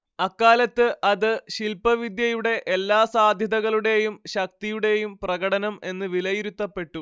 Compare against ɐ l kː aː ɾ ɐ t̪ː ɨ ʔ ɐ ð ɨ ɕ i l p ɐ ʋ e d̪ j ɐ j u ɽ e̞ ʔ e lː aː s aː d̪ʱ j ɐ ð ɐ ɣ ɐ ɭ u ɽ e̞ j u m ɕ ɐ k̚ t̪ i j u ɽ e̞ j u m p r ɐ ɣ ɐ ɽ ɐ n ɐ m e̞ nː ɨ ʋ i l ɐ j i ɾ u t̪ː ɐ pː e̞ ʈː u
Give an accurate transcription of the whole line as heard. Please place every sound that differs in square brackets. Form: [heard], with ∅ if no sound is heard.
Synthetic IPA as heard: ɐ [∅] kː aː [l] ɐ t̪ː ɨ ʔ ɐ ð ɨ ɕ i l p ɐ ʋ [i] d̪ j ɐ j u ɽ e̞ ʔ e lː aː s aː d̪ʱ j ɐ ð ɐ ɣ ɐ ɭ u ɽ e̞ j u m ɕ ɐ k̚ t̪ i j u ɽ e̞ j u m p r ɐ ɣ ɐ ɽ ɐ n ɐ m e̞ nː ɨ ʋ i l ɐ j i ɾ u t̪ː ɐ pː e̞ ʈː u